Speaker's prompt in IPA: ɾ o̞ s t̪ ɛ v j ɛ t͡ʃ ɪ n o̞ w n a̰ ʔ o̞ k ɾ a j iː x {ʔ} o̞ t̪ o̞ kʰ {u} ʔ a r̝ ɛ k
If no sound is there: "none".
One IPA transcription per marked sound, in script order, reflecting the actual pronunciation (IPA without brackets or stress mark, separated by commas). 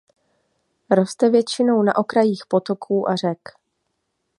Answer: p, uː